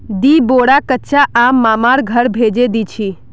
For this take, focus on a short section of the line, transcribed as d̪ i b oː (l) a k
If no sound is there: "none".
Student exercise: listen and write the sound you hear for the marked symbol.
ɽ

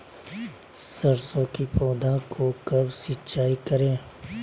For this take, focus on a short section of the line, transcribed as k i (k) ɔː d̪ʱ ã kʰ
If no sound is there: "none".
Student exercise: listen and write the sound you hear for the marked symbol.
p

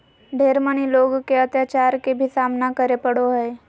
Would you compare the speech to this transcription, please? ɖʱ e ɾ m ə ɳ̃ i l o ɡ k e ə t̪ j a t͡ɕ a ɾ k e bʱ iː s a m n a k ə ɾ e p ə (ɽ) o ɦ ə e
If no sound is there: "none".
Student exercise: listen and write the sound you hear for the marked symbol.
ɽ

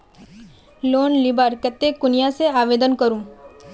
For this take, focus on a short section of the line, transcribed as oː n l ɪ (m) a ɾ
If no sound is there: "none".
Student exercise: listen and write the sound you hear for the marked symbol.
b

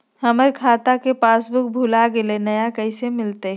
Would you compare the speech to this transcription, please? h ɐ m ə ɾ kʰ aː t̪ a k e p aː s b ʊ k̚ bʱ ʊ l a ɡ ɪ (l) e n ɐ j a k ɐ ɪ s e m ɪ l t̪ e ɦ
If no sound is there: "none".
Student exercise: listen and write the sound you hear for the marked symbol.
l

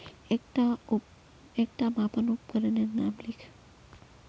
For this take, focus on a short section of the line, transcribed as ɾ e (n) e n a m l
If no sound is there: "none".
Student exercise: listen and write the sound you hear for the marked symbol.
n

